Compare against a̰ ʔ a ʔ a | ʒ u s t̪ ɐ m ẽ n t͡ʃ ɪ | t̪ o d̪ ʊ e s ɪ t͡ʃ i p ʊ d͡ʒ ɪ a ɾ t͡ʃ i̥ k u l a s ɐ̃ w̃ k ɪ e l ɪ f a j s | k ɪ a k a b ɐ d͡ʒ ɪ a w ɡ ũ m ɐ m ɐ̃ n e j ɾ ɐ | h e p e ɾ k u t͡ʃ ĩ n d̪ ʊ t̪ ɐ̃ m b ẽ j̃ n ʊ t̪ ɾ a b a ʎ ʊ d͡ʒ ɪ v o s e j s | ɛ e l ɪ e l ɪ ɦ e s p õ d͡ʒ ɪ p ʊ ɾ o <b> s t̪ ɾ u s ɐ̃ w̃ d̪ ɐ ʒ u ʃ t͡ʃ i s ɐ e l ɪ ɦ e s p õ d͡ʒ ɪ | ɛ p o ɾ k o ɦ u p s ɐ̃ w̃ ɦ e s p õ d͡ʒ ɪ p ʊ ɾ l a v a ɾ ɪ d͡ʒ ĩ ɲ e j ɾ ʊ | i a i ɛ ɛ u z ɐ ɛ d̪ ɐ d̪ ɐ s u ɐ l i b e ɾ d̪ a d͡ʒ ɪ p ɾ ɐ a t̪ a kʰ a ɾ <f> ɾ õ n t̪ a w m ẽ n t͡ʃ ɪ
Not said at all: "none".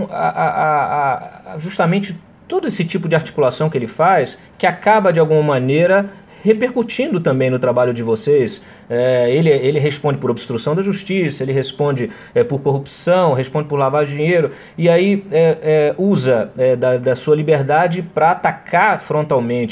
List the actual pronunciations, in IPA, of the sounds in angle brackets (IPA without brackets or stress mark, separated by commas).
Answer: b, f